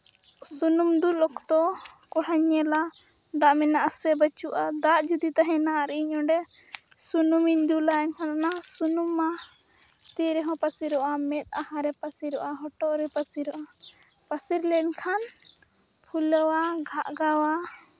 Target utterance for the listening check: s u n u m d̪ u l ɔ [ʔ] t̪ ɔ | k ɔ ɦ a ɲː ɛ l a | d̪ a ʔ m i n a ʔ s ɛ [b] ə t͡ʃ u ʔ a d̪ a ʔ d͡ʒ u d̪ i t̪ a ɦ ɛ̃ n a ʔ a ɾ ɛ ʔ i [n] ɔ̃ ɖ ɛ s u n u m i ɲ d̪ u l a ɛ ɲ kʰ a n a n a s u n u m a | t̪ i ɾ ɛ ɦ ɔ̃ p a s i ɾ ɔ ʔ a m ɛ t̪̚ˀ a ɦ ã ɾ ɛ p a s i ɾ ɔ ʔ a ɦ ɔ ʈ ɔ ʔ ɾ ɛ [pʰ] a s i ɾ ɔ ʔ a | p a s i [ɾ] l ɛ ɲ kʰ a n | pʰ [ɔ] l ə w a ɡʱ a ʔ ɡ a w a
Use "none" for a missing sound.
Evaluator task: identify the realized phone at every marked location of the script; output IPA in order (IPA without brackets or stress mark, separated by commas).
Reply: k, b, ɲ, p, ɾ, u